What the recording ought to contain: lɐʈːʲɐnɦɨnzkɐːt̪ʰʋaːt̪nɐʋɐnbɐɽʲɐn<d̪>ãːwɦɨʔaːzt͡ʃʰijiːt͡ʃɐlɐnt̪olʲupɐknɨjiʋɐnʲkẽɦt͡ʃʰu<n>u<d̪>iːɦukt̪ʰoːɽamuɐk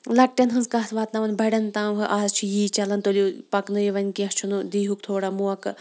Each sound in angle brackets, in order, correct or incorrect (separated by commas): incorrect, correct, correct